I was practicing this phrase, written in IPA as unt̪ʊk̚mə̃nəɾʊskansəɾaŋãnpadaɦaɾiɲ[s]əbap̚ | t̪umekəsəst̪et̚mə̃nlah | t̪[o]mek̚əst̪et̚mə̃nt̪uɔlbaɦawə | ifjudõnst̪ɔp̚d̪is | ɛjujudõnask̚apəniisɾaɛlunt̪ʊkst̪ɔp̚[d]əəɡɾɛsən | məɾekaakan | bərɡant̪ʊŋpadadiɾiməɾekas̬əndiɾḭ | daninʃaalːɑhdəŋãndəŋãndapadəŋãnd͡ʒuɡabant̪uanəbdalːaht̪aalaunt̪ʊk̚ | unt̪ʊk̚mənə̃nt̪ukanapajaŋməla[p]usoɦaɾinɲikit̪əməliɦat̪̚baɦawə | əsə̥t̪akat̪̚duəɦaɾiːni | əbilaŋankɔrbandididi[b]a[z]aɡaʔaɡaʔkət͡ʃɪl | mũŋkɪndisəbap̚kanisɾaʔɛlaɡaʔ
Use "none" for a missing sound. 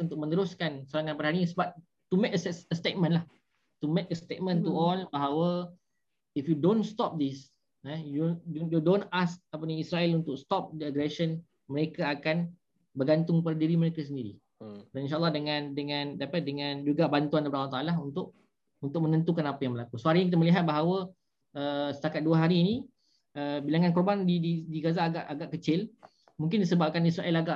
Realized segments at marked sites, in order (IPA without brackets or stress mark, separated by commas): s, u, d, k, ɡ, z